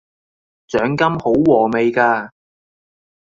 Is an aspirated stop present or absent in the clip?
absent